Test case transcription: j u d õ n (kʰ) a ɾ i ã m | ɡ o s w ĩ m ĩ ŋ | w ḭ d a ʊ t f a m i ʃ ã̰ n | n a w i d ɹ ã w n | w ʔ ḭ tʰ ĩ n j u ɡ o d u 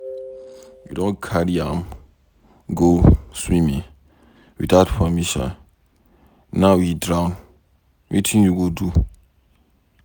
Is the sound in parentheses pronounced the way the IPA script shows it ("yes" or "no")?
yes